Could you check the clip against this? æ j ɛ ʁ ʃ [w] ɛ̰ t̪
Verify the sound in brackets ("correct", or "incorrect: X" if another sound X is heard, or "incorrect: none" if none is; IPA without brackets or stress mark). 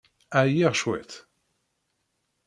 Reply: correct